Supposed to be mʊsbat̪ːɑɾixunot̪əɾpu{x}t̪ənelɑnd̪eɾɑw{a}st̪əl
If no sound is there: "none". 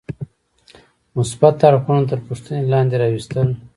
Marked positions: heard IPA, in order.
ʂ, i

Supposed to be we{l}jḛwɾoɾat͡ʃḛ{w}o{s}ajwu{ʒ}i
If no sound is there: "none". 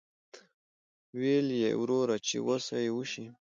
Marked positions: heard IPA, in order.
l, w, s, ʃ

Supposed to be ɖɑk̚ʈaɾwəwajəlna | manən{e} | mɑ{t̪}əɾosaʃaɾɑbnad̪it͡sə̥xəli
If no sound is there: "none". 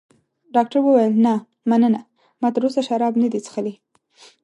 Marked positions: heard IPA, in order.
a, t̪

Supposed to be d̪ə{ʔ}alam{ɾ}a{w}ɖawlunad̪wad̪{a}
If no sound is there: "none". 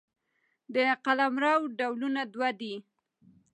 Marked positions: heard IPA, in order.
q, ɾ, w, i

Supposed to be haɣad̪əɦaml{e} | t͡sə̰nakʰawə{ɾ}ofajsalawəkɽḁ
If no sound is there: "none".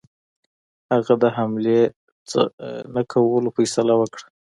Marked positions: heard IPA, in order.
e, l

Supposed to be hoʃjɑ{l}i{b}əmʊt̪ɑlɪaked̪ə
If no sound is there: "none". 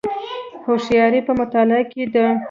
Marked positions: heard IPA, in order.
ɾ, p

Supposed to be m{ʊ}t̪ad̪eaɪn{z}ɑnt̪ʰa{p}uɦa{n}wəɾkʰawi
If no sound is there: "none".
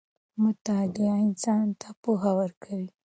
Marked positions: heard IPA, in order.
ʊ, s, p, none

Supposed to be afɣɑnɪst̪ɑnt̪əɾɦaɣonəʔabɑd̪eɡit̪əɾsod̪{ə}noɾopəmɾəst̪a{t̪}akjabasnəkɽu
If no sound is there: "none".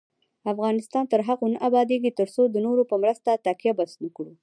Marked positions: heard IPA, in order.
ə, t̪

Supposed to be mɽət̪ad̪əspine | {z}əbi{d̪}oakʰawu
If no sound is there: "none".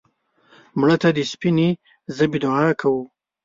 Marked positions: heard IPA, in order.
z, d̪

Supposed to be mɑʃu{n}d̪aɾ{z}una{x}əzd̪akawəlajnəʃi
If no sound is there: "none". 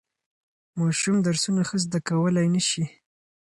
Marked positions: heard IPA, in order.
m, s, x

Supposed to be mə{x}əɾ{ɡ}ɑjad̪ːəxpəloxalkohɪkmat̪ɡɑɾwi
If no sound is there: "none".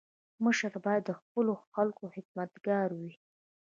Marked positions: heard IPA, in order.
ʃ, b

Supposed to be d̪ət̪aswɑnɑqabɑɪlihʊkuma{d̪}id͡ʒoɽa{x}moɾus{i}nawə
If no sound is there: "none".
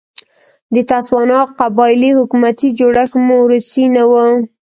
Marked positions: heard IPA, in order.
t̪, x, i

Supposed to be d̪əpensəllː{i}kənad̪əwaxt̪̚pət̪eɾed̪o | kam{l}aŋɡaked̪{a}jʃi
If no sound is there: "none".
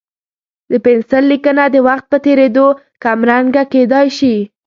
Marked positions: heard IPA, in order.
i, ɾ, ɑ

